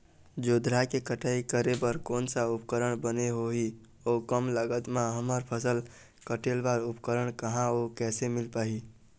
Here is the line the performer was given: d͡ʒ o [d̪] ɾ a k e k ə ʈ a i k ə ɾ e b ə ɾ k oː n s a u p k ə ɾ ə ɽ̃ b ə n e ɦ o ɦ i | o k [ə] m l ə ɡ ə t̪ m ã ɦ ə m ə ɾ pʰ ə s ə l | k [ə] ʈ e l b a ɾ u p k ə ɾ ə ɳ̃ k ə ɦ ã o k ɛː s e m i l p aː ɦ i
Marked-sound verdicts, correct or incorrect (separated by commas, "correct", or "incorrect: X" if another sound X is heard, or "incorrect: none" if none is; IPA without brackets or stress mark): correct, correct, correct